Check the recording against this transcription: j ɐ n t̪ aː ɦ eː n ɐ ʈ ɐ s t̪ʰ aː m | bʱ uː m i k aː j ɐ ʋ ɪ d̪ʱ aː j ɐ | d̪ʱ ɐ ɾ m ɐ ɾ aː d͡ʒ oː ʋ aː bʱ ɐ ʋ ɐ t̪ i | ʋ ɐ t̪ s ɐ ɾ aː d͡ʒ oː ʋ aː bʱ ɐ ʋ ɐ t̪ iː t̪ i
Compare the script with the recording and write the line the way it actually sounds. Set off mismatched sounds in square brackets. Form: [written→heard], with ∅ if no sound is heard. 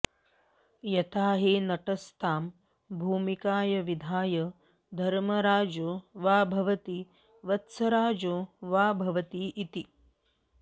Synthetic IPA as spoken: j ɐ [n→∅] t̪ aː ɦ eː n ɐ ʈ ɐ s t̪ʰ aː m | bʱ uː m i k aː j ɐ ʋ [ɪ→i] d̪ʱ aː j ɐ | d̪ʱ ɐ ɾ m ɐ ɾ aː d͡ʒ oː ʋ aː bʱ ɐ ʋ ɐ t̪ i | ʋ ɐ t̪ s ɐ ɾ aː d͡ʒ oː ʋ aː bʱ ɐ ʋ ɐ t̪ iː t̪ i